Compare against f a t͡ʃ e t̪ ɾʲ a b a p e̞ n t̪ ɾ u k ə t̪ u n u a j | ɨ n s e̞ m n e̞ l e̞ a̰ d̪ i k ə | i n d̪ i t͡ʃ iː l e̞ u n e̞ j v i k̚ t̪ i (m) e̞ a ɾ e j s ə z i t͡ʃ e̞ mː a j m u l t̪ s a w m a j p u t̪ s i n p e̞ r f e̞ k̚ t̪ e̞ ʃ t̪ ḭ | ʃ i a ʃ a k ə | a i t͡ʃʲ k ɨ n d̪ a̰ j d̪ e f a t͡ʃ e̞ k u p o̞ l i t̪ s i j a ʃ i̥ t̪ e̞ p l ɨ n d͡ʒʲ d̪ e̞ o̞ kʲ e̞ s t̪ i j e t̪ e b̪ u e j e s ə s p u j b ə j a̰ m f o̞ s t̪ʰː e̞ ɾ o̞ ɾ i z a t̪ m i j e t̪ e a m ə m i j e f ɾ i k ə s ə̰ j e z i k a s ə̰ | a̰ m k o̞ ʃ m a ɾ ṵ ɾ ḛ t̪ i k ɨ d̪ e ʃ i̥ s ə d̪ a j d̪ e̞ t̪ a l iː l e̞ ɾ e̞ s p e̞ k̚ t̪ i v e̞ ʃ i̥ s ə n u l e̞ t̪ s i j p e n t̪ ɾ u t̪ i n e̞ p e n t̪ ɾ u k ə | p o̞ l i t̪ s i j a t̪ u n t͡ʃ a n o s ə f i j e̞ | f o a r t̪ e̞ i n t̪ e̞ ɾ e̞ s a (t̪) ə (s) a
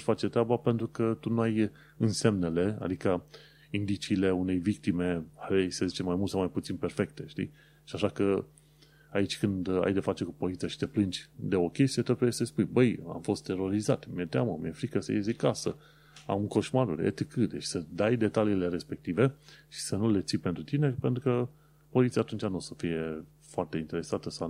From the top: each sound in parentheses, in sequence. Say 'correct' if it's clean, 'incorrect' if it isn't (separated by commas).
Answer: correct, correct, correct